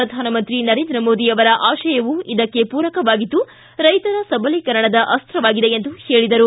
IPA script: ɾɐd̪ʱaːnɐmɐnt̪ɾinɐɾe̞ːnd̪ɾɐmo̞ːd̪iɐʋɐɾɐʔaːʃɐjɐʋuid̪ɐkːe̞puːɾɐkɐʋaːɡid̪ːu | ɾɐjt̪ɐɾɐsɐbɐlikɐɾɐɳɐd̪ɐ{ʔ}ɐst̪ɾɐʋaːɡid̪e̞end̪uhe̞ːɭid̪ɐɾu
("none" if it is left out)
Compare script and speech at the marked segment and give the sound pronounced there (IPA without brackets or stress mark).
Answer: ʔ